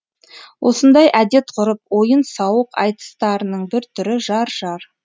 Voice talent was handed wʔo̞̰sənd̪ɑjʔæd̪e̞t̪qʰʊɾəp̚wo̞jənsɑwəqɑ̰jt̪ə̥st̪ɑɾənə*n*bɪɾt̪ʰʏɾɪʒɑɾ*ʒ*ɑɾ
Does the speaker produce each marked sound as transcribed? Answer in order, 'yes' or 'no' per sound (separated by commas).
no, yes